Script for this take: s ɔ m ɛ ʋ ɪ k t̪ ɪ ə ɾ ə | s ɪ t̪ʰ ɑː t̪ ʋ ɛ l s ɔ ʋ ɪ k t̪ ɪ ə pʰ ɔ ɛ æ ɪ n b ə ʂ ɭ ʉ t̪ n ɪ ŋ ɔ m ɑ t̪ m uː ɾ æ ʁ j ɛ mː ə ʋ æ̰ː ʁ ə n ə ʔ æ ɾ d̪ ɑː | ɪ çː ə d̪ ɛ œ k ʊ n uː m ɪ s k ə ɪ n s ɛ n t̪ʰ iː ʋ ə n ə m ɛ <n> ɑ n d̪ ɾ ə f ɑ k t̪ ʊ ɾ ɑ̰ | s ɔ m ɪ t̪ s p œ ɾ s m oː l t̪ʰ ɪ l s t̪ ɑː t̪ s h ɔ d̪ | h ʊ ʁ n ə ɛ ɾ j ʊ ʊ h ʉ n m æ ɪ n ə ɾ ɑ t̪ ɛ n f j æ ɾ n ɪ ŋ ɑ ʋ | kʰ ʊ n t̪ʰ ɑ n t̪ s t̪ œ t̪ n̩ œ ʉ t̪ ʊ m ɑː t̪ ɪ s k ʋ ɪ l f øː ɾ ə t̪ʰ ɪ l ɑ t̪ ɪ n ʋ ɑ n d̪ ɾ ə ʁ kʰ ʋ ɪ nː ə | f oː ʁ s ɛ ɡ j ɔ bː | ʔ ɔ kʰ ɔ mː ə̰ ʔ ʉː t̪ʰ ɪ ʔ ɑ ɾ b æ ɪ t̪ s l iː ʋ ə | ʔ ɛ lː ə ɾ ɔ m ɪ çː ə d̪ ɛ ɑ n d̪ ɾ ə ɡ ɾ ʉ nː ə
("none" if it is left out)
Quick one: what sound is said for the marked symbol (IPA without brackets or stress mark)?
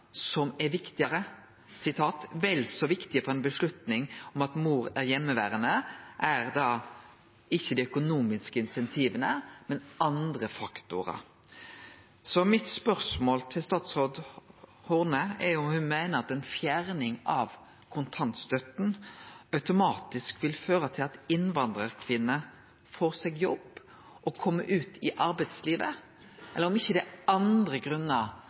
n